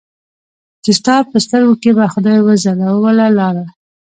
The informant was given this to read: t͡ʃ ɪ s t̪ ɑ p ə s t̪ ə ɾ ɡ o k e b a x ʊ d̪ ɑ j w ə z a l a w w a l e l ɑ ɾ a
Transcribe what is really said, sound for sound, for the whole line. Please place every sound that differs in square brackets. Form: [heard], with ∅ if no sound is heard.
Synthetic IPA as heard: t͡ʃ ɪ s t̪ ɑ p ə s t̪ ə ɾ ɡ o k e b a x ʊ d̪ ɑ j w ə z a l a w w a l [a] l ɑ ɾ a